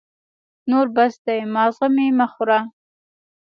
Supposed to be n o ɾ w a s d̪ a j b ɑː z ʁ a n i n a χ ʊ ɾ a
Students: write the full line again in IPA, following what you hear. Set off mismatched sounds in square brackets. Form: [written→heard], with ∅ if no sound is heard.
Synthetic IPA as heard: n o ɾ [w→b] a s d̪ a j [b→m] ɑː z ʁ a [n→m] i [n→m] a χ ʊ ɾ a